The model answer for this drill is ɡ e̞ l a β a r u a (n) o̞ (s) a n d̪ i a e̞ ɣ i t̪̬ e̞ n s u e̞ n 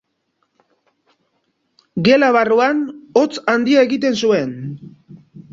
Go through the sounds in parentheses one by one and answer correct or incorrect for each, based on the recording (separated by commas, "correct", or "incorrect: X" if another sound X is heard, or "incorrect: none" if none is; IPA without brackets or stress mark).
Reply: correct, incorrect: t͡s